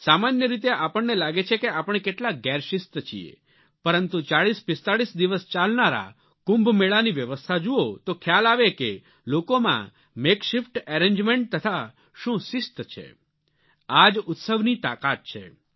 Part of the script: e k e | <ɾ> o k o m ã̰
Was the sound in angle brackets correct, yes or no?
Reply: no